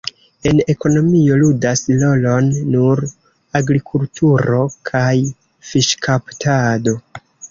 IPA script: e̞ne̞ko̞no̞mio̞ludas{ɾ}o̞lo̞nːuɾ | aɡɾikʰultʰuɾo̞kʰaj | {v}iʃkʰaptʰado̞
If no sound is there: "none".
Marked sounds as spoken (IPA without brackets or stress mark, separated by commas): l, f